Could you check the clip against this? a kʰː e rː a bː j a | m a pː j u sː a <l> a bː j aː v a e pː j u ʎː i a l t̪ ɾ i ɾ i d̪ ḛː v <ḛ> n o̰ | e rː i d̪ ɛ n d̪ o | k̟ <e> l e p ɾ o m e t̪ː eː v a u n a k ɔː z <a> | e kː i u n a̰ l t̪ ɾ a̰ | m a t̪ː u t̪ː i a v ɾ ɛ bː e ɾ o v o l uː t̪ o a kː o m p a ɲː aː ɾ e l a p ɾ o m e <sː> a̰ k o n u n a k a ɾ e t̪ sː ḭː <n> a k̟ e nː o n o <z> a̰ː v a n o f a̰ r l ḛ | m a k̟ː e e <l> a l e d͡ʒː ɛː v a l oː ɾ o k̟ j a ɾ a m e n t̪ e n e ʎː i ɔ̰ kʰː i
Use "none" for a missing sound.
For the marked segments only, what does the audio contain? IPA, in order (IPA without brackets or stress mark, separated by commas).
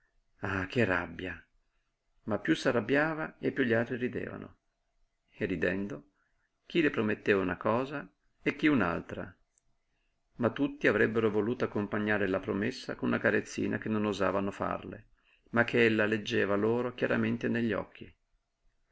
r, a̰, i, a, sː, n, z, lː